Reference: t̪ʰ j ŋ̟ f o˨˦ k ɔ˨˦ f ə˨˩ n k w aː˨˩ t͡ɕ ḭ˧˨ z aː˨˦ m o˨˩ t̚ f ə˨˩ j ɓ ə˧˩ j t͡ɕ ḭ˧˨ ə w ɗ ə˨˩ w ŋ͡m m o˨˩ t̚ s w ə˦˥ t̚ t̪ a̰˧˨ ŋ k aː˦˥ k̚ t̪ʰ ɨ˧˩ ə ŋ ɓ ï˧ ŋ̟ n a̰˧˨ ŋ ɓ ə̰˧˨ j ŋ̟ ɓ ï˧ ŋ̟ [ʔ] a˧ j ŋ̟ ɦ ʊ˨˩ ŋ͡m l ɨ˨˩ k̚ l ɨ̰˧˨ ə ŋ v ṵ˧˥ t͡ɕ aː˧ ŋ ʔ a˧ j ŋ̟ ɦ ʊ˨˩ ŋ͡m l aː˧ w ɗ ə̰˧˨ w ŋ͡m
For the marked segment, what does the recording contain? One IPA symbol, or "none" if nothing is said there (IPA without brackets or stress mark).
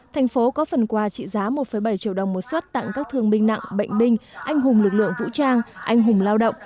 ʔ